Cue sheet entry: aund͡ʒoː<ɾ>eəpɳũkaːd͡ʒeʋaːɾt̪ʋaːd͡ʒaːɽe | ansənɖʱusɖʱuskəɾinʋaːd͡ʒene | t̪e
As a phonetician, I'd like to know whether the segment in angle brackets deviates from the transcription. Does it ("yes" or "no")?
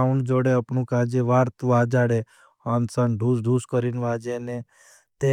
yes